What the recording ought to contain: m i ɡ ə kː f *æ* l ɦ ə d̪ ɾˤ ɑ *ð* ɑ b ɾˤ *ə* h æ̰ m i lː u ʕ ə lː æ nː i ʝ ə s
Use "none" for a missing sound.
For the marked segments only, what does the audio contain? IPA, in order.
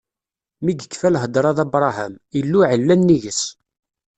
æ, ð, ɑ

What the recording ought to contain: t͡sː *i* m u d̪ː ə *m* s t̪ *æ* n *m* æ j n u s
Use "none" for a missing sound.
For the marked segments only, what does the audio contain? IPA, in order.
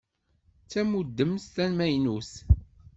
æ, m, æ, m

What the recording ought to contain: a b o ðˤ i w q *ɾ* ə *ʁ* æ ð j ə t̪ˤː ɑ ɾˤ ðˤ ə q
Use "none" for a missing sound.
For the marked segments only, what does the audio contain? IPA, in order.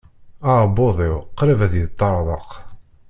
ɾ, v

